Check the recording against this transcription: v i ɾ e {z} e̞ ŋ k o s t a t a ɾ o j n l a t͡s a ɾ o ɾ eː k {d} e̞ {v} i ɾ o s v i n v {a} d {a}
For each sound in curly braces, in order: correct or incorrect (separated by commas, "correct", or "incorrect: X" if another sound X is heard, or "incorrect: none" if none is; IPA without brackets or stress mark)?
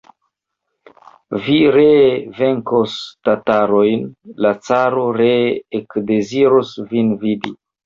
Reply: incorrect: v, correct, incorrect: z, incorrect: i, incorrect: i